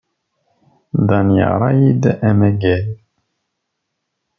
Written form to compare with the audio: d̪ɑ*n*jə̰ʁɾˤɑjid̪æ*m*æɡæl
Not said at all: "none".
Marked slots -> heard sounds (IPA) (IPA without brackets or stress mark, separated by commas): n, m